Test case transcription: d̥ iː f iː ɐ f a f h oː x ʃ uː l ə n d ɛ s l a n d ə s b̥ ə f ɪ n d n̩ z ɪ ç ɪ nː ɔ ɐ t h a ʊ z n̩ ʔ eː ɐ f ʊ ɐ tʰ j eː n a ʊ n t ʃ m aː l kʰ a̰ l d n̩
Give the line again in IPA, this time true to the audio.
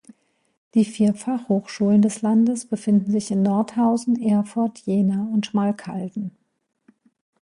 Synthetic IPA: d̥ iː f iː ɐ f a χ h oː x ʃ uː l ə n d ɛ s l a n d ə s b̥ ə f ɪ n d n̩ z ɪ ç ɪ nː ɔ ɐ t h a ʊ z n̩ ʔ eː ɐ f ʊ ɐ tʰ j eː n a ʊ n t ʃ m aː l kʰ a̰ l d n̩